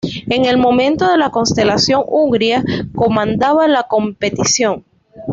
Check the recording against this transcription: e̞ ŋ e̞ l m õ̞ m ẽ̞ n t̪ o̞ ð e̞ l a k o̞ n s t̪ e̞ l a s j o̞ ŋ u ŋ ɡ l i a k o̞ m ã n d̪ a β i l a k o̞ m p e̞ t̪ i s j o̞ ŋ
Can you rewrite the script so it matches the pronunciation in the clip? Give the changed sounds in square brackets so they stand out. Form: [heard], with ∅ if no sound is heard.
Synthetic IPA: e̞ ŋ e̞ l m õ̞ m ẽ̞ n t̪ o̞ ð e̞ l a k o̞ n s t̪ e̞ l a s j o̞ ŋ u ŋ ɡ [ɾ] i a k o̞ m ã n d̪ a β [a] l a k o̞ m p e̞ t̪ i s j o̞ ŋ